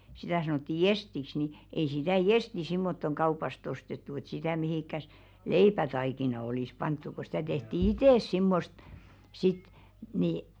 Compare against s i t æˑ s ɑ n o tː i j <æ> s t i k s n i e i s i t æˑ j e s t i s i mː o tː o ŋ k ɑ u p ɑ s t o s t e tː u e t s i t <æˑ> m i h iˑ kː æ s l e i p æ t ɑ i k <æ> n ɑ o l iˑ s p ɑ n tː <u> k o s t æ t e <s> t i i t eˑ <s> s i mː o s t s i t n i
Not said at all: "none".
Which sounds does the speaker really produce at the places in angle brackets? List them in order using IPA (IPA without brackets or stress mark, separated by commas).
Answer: e, æˑ, i, u, h, s